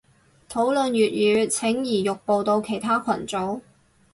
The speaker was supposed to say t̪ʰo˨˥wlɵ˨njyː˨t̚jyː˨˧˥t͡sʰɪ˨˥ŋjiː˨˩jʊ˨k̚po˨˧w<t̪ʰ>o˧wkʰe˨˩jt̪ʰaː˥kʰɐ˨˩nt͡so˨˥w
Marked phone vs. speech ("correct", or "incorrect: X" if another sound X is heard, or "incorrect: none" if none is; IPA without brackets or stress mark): incorrect: t̪